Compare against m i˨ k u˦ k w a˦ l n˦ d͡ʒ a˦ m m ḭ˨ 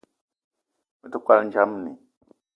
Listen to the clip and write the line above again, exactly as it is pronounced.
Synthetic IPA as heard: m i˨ t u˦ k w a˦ l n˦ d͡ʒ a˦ m n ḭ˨